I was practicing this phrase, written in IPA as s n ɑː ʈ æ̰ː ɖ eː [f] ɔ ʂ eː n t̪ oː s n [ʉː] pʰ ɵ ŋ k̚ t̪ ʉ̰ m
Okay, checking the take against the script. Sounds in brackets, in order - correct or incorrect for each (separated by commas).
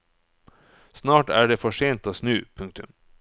correct, correct